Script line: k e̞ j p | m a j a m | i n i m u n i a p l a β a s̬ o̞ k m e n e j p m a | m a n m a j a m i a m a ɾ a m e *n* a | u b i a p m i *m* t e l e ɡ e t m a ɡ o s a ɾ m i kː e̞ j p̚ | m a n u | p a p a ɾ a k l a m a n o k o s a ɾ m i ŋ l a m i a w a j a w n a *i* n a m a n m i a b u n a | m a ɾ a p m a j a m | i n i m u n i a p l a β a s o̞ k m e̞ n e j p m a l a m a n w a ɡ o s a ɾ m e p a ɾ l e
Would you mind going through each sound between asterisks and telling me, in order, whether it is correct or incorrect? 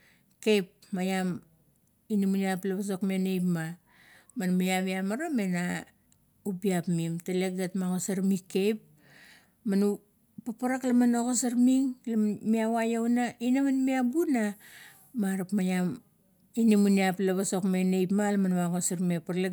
correct, correct, correct

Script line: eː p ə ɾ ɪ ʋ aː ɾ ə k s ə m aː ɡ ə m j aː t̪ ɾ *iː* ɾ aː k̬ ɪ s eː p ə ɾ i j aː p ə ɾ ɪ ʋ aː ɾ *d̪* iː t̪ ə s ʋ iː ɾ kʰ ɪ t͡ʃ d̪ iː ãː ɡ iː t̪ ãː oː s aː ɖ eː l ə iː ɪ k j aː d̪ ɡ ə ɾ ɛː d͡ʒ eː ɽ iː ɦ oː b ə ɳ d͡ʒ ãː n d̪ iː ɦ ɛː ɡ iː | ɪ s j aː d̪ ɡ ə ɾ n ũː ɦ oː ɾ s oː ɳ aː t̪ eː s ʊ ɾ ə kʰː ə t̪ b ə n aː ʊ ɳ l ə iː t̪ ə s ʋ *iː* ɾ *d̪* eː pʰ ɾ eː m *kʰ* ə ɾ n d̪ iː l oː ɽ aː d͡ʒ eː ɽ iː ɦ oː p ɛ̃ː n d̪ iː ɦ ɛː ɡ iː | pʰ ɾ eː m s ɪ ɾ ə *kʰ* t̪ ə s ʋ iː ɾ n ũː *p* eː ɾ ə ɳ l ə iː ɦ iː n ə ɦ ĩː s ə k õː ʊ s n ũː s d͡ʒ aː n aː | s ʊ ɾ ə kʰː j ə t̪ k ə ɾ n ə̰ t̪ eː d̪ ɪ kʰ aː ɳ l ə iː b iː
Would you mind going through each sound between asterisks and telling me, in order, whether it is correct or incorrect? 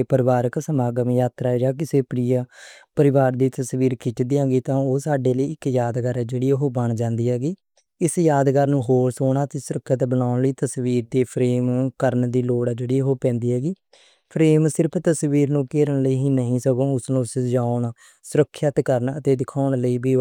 incorrect, correct, correct, correct, incorrect, incorrect, incorrect

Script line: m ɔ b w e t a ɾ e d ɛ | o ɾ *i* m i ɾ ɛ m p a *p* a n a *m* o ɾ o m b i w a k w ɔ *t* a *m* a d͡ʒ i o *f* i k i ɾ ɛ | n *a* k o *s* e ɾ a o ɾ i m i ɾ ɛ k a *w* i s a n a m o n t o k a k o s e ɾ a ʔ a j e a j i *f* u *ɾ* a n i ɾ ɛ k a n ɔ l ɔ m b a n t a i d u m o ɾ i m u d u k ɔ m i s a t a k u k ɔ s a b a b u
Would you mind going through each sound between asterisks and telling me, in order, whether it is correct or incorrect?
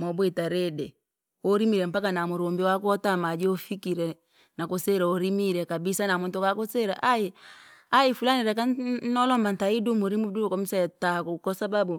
correct, incorrect, correct, correct, correct, correct, correct, correct, incorrect, correct, incorrect

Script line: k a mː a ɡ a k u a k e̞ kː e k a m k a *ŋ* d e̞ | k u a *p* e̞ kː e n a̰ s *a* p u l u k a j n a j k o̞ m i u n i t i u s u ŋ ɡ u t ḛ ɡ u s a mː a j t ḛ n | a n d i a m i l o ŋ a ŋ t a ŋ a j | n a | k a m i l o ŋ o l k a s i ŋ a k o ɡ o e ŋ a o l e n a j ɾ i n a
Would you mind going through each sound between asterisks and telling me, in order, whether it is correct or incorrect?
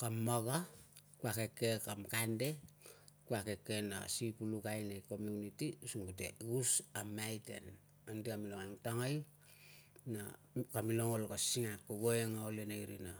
incorrect, incorrect, incorrect

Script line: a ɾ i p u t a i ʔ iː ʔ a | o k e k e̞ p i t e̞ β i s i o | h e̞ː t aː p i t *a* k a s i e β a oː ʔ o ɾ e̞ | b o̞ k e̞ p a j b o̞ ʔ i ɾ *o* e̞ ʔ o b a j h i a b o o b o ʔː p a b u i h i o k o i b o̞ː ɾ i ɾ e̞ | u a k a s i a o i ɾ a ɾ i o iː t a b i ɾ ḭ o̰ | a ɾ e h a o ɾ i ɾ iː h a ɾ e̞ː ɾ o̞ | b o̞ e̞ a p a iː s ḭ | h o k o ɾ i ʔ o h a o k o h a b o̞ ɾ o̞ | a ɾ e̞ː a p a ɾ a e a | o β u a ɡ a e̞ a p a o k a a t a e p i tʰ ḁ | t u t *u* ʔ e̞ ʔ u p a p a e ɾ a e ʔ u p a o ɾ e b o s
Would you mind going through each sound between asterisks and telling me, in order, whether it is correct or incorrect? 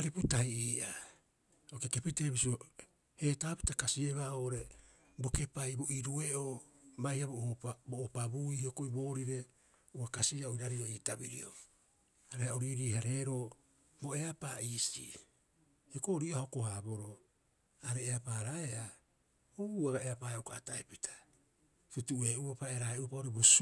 correct, incorrect, correct

